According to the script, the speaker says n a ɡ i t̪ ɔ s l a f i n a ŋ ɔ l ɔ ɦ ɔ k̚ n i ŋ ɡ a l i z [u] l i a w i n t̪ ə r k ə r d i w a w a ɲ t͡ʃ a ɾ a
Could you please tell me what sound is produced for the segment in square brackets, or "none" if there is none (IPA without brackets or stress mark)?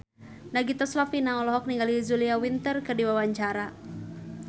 u